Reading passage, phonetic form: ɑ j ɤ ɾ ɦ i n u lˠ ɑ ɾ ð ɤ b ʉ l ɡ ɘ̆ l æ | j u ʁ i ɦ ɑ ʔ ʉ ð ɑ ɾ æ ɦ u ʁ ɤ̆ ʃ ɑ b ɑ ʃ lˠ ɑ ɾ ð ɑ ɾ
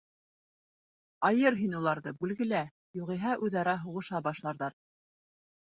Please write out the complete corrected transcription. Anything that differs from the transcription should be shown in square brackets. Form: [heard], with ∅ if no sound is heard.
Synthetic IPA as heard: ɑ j ɤ ɾ ɦ i n u lˠ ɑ ɾ ð ɤ b ʉ l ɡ ɘ̆ l æ | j u ʁ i ɦ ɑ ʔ ʉ ð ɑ ɾ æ ɦ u ʁ ɤ̆ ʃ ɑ b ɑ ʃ lˠ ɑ ɾ ð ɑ ɾ